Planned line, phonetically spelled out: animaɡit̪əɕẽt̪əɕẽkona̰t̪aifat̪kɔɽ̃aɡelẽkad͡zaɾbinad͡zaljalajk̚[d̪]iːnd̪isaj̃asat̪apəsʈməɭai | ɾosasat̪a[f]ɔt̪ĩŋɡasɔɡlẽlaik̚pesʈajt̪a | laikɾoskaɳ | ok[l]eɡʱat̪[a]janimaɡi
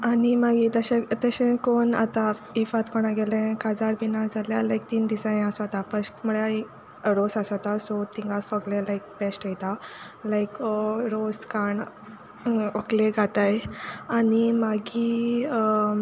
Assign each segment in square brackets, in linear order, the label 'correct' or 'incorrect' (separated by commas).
incorrect, incorrect, correct, correct